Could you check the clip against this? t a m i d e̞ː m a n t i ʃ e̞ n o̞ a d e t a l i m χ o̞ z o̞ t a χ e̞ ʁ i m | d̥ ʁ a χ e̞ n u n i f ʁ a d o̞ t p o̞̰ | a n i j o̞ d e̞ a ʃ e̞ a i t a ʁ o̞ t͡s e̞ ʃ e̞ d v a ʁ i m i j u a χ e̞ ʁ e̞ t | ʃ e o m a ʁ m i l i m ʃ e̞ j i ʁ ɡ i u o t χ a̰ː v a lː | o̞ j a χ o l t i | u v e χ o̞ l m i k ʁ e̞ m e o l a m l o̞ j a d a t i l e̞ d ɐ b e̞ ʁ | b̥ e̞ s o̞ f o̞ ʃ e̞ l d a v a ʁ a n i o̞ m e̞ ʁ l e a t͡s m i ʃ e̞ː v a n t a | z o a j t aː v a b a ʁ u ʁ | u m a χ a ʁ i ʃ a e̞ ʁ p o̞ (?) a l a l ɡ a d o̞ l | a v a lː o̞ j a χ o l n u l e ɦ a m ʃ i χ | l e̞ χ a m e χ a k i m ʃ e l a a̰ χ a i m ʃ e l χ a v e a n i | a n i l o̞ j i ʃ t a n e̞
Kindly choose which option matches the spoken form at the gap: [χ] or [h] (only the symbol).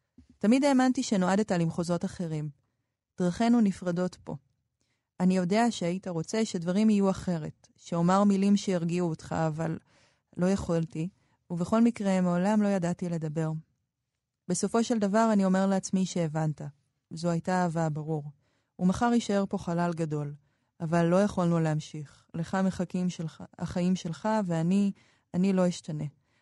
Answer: χ